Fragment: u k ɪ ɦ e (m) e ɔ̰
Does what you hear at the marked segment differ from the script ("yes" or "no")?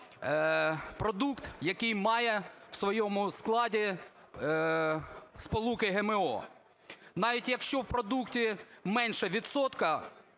no